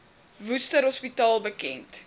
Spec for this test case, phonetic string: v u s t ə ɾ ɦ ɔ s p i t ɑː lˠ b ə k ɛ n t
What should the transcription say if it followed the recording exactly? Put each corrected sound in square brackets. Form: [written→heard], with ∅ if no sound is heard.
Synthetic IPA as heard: v u s t ə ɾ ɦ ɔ s p i t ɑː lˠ b ə k ɛ n t